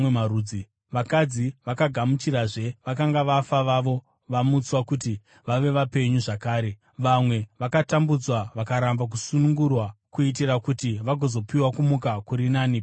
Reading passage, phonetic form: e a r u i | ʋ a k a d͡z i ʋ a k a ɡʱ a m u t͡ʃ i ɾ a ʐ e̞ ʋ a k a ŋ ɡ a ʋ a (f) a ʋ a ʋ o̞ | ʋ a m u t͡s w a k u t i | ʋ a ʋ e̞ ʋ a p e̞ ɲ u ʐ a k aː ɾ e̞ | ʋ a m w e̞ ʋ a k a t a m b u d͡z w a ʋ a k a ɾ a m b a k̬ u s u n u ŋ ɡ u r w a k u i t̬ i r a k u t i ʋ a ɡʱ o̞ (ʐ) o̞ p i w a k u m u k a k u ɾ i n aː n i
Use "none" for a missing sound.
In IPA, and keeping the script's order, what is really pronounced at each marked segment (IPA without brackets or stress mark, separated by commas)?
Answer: f, z